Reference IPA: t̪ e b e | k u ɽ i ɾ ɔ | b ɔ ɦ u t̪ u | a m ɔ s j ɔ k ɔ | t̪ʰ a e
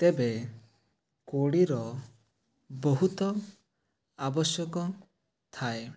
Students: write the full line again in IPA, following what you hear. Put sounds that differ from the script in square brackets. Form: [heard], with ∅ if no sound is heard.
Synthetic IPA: t̪ e b e | k [o] ɽ i ɾ ɔ | b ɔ ɦ u t̪ [ɔ] | a [b] ɔ s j ɔ k ɔ | t̪ʰ a e